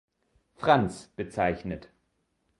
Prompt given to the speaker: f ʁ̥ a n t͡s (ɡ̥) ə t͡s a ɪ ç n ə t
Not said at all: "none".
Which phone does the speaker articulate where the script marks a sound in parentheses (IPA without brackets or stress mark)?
b̥